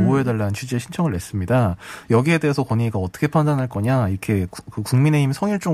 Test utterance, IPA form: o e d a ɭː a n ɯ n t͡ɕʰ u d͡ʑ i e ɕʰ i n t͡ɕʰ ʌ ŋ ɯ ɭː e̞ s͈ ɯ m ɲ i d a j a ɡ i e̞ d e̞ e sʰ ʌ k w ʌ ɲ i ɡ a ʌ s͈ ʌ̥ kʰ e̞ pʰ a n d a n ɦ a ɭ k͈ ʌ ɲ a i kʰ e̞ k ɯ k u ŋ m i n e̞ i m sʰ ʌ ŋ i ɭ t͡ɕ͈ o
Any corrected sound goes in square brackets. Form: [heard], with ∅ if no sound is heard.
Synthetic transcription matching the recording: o e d a ɭː a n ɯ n t͡ɕʰ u d͡ʑ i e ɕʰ i n t͡ɕʰ ʌ ŋ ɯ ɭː e̞ s͈ ɯ m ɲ i d a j [ʌ] ɡ i e̞ d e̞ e sʰ ʌ k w ʌ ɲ i ɡ a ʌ [t͈] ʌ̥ kʰ e̞ pʰ a n d a n ɦ a ɭ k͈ ʌ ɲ a i kʰ e̞ k ɯ k u ŋ m i n e̞ i m sʰ ʌ ŋ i ɭ t͡ɕ͈ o